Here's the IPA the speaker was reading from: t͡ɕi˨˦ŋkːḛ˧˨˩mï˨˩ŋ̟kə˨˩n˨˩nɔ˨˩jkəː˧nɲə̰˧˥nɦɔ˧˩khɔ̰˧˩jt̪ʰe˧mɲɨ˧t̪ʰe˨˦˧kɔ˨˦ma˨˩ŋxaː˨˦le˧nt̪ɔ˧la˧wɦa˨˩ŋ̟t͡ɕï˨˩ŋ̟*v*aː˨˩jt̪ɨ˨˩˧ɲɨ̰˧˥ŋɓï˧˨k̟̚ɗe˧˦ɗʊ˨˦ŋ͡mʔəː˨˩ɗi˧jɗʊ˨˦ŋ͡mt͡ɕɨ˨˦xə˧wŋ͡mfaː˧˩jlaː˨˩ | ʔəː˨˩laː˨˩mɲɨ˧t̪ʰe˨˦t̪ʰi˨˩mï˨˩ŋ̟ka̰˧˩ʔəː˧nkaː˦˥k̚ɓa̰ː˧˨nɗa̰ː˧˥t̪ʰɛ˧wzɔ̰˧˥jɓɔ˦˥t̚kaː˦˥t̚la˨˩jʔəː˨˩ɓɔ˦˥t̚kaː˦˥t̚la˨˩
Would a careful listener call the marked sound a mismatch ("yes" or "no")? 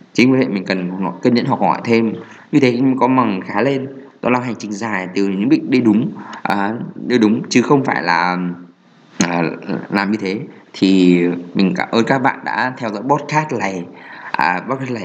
yes